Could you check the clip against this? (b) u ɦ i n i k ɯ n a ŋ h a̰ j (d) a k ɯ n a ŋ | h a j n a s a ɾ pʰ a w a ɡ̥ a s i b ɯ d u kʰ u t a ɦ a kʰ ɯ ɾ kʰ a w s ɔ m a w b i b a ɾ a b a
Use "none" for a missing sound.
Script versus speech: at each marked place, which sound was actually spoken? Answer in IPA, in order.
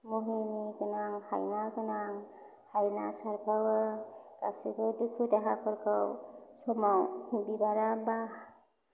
m, n

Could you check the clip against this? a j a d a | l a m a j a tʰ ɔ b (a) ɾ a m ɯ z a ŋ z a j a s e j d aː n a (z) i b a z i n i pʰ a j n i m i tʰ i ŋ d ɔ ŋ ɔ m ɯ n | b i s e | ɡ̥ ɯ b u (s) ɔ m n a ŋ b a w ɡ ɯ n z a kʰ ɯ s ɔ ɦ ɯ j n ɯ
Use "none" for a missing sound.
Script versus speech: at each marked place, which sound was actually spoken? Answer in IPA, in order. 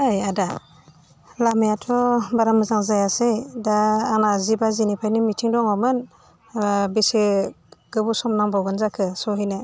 a, z, s

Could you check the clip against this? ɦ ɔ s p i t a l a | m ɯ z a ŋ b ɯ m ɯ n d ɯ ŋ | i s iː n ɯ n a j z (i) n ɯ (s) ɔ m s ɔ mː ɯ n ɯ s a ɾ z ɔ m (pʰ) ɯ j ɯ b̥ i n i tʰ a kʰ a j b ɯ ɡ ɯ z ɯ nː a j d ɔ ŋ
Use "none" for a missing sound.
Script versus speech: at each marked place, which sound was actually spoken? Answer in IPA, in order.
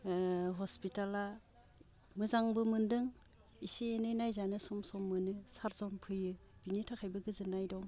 a, s, pʰ

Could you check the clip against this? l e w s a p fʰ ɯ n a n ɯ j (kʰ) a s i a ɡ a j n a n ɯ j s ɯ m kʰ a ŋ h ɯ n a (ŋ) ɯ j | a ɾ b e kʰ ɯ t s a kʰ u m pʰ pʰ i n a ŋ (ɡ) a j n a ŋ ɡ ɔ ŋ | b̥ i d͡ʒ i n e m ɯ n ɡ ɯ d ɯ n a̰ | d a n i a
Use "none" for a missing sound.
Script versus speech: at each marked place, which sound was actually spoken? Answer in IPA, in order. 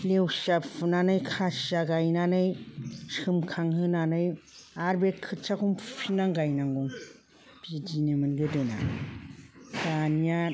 kʰ, n, ɡ

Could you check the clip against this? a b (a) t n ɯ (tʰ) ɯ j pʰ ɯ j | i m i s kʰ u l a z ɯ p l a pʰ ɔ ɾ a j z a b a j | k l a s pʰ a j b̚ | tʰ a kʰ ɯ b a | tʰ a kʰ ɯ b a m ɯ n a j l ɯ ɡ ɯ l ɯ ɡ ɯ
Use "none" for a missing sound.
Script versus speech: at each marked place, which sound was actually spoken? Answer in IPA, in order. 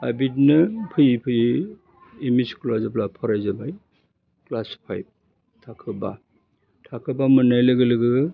i, pʰ

